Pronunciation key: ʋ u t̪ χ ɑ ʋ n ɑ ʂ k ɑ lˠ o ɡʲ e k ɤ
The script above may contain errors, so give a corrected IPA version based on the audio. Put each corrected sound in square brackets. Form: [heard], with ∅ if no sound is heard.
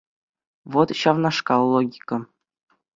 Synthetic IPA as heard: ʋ [o] t̪ [ɕ] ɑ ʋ n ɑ ʂ k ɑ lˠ o ɡʲ [i] k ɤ